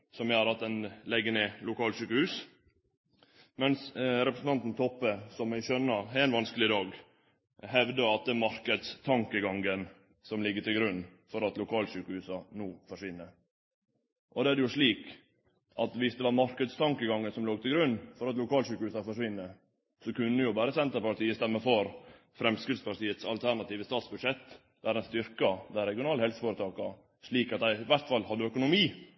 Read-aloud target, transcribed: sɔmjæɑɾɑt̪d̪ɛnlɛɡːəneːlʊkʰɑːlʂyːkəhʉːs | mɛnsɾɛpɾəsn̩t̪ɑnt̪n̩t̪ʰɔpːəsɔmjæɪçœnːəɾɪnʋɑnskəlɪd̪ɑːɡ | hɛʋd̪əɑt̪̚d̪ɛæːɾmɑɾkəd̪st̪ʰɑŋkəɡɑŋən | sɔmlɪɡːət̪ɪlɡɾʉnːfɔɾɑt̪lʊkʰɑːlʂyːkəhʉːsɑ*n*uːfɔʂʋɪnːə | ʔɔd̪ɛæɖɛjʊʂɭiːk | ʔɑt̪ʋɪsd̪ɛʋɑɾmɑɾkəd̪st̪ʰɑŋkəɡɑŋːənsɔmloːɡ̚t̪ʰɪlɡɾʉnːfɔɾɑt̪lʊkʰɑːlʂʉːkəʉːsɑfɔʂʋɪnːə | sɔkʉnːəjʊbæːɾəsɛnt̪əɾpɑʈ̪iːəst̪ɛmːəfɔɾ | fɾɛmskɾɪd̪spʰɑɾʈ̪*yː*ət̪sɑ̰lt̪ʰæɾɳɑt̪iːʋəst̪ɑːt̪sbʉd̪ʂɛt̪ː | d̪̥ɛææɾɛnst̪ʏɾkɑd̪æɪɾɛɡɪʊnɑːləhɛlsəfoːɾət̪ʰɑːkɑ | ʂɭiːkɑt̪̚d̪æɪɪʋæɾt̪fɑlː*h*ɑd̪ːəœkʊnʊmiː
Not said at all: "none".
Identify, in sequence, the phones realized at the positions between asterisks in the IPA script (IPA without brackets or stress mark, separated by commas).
n, iː, h